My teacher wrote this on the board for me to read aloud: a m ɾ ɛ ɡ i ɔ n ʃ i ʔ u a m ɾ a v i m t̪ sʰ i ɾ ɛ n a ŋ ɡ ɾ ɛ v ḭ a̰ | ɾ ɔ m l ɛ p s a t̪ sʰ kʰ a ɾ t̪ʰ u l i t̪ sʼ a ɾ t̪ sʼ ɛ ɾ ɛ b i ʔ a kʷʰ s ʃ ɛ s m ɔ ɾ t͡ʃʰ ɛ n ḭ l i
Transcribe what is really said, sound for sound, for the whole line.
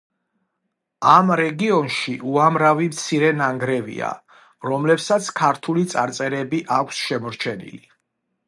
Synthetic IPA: a m ɾ ɛ ɡ i ɔ n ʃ i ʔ u a m ɾ a v i m t̪ sʰ i ɾ ɛ n a ŋ ɡ ɾ ɛ v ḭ a̰ | ɾ ɔ m l ɛ p s a t̪ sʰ kʰ a ɾ t̪ʰ u l i t̪ sʼ a ɾ t̪ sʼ ɛ ɾ ɛ b i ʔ a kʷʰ s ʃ ɛ m ɔ ɾ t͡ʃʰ ɛ n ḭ l i